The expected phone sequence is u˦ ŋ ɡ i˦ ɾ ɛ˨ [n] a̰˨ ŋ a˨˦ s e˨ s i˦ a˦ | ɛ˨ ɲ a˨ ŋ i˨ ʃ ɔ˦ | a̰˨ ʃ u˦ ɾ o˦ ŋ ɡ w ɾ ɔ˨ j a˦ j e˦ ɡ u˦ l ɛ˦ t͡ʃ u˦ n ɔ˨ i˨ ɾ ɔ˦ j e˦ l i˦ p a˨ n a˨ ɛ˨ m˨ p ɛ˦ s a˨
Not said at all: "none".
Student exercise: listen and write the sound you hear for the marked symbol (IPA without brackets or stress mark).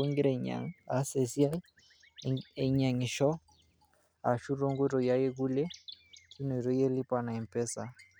ɲ